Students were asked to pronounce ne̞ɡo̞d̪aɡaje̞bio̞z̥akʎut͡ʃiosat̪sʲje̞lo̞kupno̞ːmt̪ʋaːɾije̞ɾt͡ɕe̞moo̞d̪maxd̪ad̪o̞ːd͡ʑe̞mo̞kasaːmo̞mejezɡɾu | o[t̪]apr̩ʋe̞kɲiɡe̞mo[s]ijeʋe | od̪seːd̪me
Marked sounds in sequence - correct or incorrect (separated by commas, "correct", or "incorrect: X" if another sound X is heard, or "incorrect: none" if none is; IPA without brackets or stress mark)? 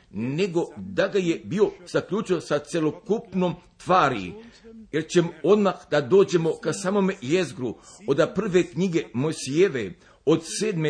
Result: incorrect: d̪, correct